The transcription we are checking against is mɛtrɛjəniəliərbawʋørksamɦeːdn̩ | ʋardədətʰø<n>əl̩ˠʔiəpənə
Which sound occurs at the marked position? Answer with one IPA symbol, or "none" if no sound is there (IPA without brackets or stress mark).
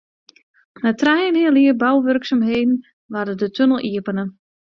n